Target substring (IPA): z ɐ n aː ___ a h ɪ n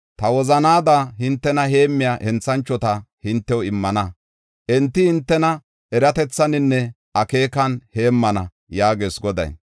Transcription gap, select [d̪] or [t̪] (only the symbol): d̪